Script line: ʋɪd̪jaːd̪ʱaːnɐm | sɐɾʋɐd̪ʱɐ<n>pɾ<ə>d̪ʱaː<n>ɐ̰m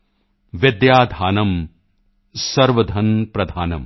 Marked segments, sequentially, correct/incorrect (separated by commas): correct, incorrect, correct